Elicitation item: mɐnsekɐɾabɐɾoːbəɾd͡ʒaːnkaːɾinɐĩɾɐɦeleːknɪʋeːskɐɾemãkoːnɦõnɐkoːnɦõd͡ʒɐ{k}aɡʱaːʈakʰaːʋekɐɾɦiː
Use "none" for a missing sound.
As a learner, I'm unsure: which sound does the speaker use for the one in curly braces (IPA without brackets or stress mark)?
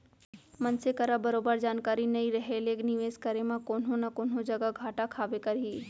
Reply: ɡ